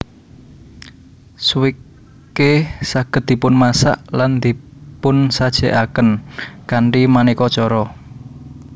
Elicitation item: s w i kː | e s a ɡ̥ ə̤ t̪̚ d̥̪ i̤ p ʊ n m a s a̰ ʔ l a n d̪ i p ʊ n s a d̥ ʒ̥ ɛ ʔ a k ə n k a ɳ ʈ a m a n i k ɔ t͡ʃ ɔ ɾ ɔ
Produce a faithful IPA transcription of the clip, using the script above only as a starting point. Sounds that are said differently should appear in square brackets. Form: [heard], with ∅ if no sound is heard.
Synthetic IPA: s w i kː | e s a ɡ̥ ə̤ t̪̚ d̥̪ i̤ p ʊ n m a s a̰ ʔ l a n d̪ i p ʊ n s a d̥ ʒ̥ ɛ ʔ a k ə n k a ɳ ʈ [i] m a n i k ɔ t͡ʃ ɔ ɾ ɔ